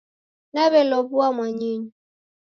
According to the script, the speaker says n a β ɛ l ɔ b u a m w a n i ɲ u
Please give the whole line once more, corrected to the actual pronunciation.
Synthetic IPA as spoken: n a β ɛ l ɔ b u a m w a ɲ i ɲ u